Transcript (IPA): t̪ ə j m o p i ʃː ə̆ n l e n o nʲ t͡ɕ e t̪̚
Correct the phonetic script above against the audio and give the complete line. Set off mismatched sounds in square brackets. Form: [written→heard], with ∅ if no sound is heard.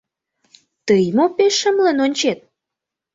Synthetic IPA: t̪ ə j m o p [i→e] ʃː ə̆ [n→m] l e n o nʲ t͡ɕ e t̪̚